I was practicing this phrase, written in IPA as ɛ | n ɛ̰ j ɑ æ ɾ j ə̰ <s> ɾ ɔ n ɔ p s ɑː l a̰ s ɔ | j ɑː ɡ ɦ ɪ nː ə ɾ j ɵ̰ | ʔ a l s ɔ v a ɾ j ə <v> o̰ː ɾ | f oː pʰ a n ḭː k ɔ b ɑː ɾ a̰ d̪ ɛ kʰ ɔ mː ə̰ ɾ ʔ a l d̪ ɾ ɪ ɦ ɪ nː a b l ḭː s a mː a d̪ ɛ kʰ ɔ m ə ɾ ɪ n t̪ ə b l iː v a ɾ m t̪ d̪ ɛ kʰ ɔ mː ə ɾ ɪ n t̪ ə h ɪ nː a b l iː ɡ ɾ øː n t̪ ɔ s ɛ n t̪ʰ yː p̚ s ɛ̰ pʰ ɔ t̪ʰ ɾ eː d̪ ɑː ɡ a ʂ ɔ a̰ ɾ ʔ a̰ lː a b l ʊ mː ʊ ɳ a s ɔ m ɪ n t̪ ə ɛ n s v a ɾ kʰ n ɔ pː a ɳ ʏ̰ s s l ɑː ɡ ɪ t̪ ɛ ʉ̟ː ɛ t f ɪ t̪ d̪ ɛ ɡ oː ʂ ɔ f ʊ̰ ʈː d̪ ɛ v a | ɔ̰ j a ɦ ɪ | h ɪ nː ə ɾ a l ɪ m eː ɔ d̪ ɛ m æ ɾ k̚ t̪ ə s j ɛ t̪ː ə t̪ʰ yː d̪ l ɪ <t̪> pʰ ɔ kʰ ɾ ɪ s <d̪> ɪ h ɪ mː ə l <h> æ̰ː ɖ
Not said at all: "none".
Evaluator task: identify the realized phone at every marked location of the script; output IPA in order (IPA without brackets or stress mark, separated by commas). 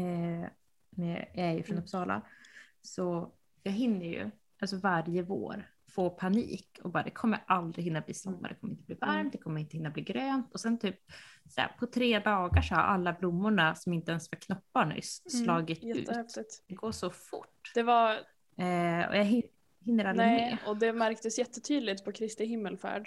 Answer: f, v, t̪, t̪, f